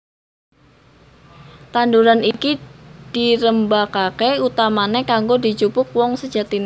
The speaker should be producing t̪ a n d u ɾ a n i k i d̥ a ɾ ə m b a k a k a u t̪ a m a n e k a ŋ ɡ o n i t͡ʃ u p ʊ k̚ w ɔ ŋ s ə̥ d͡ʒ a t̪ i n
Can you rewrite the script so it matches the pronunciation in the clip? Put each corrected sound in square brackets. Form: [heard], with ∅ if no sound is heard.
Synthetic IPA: t̪ a n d u ɾ a n i k i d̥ [i] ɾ ə m b a k a k [e] u t̪ a m a n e k a ŋ ɡ o [d] i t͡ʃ u p ʊ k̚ w ɔ ŋ s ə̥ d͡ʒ a t̪ i n